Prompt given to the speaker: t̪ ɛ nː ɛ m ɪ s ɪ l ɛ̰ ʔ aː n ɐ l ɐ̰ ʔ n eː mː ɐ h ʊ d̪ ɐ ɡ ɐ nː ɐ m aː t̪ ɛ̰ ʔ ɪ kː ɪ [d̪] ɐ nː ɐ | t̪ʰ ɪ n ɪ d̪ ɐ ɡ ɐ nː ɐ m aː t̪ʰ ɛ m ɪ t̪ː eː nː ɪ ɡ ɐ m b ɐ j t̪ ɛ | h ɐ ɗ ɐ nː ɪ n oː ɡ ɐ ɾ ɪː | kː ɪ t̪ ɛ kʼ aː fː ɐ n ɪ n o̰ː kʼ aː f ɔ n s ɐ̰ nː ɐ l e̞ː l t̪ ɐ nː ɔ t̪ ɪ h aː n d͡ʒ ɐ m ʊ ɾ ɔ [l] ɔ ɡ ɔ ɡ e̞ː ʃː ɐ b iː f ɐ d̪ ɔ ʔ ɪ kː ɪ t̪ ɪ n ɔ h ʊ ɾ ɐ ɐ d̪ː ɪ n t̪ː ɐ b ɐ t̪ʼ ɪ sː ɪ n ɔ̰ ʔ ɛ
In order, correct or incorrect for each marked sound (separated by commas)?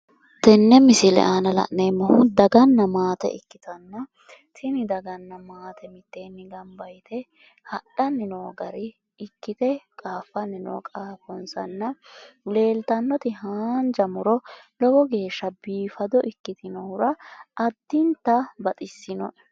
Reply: incorrect, correct